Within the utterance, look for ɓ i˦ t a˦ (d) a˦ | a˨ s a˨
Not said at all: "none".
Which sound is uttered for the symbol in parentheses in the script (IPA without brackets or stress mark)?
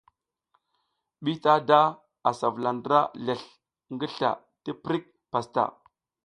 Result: d